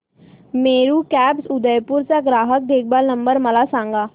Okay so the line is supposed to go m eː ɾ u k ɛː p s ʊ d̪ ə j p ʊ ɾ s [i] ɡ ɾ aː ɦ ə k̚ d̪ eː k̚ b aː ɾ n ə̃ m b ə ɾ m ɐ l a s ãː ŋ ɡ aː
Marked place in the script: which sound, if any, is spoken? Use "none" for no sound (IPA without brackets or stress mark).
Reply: a